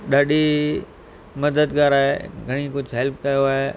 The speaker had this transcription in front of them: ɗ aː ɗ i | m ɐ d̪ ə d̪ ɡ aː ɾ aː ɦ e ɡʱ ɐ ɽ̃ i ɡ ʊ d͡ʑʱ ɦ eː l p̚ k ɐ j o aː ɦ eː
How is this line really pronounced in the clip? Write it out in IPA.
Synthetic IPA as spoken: ɗ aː ɗ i | m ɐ d̪ ə d̪ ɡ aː ɾ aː ɦ e ɡʱ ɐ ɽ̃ i k ʊ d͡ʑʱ ɦ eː l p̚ k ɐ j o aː ɦ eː